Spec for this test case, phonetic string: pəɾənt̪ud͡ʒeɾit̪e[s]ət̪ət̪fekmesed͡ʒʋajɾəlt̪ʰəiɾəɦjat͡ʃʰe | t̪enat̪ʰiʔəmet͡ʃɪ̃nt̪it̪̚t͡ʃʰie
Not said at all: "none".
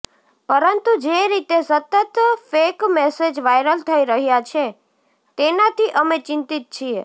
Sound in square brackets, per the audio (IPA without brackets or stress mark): s